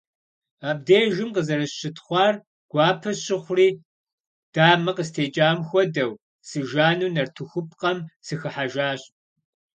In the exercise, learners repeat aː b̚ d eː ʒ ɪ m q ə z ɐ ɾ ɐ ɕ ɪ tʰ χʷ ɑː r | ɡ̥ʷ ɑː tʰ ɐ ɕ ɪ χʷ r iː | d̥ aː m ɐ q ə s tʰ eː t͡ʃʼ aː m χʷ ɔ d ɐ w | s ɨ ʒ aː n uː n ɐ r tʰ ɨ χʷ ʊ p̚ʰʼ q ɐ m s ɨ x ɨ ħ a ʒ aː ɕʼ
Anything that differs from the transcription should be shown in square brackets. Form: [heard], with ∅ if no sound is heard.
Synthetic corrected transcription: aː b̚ d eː ʒ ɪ m q ə z ɐ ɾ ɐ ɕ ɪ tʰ χʷ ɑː r | ɡ̥ʷ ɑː [pʰ] ɐ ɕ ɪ χʷ r iː | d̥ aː m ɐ q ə s tʰ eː t͡ʃʼ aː m [xʷ] ɔ d ɐ w | s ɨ ʒ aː n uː n ɐ r tʰ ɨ [xʷ] ʊ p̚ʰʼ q ɐ m s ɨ x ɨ ħ a ʒ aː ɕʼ